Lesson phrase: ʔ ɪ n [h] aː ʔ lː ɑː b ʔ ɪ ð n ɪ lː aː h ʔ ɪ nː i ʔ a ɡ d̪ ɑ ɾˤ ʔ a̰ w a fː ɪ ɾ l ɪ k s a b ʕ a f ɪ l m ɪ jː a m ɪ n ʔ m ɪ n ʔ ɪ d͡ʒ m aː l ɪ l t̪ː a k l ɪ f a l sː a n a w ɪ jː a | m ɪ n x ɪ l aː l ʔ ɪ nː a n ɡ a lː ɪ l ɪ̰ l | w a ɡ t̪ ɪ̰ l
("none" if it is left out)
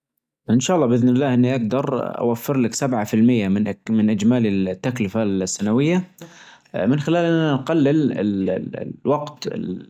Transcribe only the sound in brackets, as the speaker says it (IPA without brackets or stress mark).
ʃ